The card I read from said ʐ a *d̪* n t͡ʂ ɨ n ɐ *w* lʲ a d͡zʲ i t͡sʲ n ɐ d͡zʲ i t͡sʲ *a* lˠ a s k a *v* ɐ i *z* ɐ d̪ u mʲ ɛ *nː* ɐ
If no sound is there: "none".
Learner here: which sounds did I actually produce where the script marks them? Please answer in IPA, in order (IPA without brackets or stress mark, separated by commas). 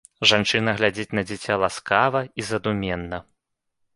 none, ɣ, a, v, z, nː